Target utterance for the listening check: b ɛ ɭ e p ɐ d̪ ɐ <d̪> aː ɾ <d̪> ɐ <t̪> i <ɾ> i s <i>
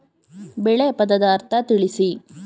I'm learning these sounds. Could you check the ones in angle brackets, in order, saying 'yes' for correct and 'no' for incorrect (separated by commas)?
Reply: yes, no, yes, no, yes